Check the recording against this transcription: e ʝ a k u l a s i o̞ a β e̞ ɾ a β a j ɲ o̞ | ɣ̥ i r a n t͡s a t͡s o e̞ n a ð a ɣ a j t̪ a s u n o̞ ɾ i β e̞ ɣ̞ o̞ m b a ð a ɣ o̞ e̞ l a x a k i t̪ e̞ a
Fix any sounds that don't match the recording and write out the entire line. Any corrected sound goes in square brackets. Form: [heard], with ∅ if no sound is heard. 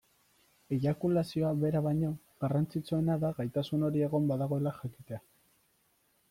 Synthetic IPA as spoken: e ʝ a k u l a s i o̞ a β e̞ ɾ a β a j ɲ o̞ | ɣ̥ [a] r a n t͡s [i] t͡s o e̞ n a ð a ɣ a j t̪ a s u n o̞ ɾ i [∅] e̞ ɣ̞ o̞ m b a ð a ɣ o̞ e̞ l a x a k i t̪ e̞ a